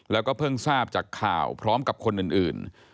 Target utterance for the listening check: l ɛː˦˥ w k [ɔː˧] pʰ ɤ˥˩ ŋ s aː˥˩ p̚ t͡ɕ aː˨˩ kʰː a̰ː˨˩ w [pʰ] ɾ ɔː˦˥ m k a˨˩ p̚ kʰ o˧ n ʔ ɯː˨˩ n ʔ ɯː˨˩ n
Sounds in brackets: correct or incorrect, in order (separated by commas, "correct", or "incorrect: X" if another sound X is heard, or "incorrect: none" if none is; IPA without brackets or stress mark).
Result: incorrect: ɔː˥˩, correct